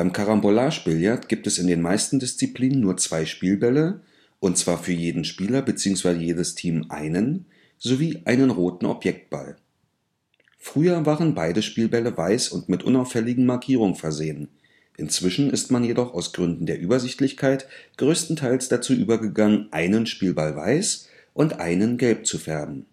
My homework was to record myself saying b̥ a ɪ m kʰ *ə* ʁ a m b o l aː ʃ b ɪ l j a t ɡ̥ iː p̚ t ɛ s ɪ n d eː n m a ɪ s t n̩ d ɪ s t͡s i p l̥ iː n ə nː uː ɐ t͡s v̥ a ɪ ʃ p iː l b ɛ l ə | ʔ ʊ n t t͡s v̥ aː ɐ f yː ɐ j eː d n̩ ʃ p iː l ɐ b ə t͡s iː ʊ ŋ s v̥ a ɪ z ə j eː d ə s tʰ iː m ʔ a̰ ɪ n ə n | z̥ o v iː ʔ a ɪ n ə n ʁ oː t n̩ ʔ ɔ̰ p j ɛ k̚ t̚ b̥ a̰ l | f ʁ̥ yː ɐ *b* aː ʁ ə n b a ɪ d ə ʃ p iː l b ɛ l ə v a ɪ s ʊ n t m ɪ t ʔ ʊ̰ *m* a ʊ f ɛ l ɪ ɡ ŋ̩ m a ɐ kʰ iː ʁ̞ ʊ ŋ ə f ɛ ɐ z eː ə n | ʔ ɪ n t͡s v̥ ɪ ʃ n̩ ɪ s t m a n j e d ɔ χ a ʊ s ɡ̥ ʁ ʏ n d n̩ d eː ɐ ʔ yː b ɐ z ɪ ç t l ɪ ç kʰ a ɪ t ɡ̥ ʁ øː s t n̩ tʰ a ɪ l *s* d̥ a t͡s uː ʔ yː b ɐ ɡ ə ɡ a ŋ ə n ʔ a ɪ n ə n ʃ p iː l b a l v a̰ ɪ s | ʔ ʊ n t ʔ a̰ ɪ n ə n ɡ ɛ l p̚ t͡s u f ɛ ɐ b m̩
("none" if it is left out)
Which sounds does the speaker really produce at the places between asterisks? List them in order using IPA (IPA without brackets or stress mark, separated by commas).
a, v, n, s